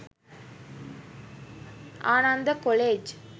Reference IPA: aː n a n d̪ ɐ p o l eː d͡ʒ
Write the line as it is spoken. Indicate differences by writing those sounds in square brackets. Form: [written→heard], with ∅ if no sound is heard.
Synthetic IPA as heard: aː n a n d̪ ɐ [p→k] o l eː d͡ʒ